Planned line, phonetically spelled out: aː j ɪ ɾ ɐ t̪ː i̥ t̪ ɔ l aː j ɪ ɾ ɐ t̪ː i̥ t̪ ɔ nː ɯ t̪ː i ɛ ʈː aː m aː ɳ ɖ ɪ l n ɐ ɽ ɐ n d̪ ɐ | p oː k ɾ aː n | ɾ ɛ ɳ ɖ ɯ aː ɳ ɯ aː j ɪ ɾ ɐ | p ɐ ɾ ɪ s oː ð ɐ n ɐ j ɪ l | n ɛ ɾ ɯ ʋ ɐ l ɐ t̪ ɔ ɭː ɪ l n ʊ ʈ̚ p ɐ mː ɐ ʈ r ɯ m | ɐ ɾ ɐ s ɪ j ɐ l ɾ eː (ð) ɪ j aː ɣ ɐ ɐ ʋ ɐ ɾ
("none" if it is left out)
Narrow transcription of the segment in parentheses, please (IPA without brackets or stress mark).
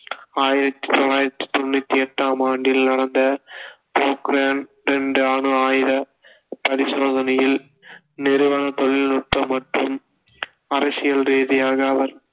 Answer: ð